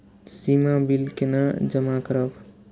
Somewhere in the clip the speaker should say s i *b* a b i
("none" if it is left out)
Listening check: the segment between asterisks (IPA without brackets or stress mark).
m